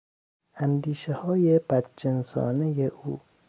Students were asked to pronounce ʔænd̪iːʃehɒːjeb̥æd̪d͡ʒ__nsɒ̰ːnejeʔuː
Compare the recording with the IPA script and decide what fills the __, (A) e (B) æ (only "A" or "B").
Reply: A